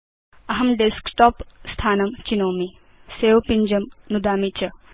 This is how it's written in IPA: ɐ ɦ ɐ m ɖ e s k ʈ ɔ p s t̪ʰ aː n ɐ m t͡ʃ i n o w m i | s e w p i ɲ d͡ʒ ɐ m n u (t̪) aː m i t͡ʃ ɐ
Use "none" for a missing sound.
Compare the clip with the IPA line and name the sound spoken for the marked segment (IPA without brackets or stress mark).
d̪